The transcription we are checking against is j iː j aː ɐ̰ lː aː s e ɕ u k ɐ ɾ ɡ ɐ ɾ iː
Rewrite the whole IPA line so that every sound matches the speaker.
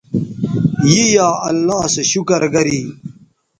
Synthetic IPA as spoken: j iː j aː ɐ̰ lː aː s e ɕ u k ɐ ɾ ɡ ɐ ɾ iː